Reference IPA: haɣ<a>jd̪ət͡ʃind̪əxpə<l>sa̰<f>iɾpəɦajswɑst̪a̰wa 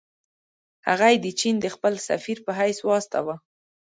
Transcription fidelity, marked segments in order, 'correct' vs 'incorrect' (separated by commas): correct, correct, correct